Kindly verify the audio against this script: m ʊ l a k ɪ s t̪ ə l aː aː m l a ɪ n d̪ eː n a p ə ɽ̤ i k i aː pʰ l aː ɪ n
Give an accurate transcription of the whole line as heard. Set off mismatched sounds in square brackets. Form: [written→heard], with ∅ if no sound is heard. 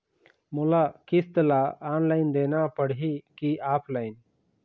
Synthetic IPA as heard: m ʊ l a k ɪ s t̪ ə l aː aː [m→n] l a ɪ n d̪ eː n a p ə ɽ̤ i k i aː pʰ l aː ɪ n

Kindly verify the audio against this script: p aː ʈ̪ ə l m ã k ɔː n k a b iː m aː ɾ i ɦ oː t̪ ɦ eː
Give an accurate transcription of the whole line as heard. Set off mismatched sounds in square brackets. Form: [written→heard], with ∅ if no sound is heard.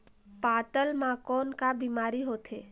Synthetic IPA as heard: p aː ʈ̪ ə l m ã k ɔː n k a b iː m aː ɾ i ɦ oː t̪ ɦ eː

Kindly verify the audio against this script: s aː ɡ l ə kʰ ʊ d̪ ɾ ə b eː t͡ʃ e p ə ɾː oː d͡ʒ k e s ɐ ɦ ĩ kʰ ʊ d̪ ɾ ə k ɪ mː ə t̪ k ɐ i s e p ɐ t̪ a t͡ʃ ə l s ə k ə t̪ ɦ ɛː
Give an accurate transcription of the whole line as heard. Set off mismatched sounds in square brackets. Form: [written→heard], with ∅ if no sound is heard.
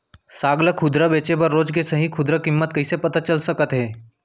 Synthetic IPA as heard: s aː ɡ l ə kʰ ʊ d̪ ɾ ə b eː t͡ʃ e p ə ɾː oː d͡ʒ k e s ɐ ɦ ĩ kʰ ʊ d̪ ɾ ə k ɪ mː ə t̪ k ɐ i s e p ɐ t̪ a t͡ʃ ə l s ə k ə t̪ ɦ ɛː

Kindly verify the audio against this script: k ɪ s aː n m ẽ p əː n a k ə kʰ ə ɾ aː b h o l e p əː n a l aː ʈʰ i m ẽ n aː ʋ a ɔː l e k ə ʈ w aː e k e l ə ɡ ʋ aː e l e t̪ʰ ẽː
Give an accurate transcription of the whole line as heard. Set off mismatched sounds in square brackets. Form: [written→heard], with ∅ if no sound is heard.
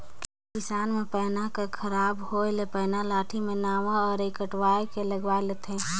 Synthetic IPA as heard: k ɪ s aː n m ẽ p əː n a k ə kʰ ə ɾ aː b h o l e p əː n a l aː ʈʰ i m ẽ n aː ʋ a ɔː [l→ɾ] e k ə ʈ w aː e k e l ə ɡ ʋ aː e l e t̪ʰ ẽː

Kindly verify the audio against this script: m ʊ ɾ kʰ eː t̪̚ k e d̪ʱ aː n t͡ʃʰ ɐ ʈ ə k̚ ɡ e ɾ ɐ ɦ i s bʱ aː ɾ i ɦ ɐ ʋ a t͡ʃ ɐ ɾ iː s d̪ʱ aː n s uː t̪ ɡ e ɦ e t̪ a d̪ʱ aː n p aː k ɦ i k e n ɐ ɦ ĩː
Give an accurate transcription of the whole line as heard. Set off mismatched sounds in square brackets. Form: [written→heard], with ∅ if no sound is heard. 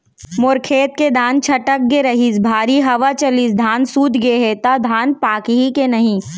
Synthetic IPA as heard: m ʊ ɾ kʰ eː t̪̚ k e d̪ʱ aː n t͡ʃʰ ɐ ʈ ə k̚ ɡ e ɾ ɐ ɦ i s bʱ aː ɾ i ɦ ɐ ʋ a t͡ʃ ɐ [ɾ→l] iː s d̪ʱ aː n s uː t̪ ɡ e ɦ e t̪ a d̪ʱ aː n p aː k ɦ i k e n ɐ ɦ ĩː

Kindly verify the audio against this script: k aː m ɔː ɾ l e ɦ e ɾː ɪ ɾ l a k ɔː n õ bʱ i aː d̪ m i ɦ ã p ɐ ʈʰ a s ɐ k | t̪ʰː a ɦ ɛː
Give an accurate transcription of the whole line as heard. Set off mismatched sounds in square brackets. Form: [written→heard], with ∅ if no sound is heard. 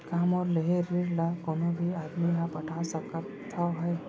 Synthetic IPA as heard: k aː m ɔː ɾ l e ɦ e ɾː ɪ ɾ l a k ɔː n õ bʱ i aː d̪ m i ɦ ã p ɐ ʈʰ a s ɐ k | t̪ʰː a ɦ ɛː

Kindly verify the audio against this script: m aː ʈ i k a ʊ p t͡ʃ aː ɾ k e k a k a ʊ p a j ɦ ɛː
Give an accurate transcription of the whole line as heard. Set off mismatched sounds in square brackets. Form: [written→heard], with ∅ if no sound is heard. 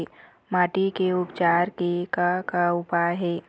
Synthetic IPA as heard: m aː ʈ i k [a→e] ʊ p t͡ʃ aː ɾ k e k a k a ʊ p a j ɦ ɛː

